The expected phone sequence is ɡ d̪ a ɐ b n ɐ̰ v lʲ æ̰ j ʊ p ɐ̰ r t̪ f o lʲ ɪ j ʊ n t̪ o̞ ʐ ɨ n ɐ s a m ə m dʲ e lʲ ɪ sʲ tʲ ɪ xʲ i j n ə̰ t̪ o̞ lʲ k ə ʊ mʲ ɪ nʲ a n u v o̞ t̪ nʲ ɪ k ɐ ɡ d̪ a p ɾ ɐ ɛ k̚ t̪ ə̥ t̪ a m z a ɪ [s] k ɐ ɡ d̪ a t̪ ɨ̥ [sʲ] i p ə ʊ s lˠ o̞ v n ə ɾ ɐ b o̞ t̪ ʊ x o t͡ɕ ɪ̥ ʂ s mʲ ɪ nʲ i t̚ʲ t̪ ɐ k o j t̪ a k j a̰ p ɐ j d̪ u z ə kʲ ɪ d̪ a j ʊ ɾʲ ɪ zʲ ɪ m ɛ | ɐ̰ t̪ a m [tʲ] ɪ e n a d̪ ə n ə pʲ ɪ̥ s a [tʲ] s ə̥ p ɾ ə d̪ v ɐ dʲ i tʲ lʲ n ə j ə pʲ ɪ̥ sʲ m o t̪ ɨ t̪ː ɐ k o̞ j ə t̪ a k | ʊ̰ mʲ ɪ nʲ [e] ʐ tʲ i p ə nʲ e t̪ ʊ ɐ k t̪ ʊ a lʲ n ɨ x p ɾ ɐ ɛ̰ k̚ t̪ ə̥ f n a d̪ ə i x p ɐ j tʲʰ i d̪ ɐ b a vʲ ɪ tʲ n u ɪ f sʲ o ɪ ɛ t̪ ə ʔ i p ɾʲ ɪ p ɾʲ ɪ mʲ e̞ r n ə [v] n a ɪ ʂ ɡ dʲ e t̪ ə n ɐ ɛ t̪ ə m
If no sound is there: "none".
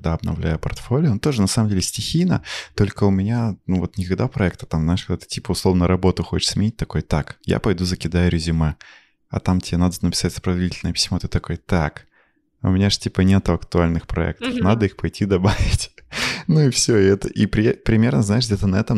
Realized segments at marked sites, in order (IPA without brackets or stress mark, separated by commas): ʂ, tʲ, tʲ, tʲ, a, z